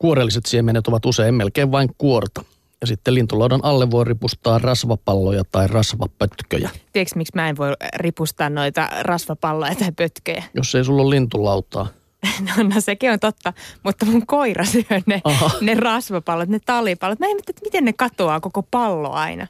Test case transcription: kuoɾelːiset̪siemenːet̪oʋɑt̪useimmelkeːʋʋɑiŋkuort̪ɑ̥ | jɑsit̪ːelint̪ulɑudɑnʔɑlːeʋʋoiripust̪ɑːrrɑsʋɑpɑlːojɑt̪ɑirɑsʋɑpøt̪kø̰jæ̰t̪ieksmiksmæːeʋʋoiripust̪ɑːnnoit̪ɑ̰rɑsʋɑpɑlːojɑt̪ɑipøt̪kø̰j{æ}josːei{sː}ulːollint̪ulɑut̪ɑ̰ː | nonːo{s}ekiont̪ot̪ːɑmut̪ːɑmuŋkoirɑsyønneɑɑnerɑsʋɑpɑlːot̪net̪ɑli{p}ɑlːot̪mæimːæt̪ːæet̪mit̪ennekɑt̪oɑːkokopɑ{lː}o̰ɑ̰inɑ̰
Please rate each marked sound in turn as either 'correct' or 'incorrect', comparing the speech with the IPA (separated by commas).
correct, incorrect, correct, correct, correct